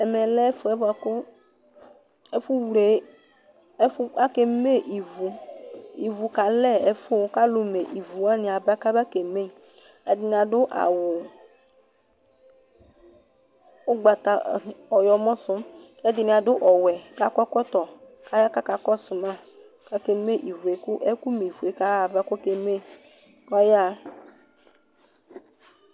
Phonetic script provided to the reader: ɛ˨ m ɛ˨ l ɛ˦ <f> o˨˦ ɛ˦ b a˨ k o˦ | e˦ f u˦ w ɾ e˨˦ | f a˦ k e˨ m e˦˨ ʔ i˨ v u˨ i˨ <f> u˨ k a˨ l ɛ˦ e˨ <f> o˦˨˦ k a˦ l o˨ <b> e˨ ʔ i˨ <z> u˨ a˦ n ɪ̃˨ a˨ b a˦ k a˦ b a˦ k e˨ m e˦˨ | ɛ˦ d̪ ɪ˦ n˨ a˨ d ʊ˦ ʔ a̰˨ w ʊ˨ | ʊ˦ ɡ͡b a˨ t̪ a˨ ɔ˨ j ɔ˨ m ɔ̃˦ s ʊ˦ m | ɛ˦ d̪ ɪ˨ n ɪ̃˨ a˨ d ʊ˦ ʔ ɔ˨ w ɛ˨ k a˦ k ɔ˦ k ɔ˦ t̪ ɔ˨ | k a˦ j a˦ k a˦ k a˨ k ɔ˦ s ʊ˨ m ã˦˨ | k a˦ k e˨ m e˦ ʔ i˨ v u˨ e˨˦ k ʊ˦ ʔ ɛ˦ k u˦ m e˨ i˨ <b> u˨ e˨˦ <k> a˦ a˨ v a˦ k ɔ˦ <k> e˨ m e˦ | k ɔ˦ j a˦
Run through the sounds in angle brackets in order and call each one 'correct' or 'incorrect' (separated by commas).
correct, incorrect, correct, incorrect, incorrect, incorrect, correct, correct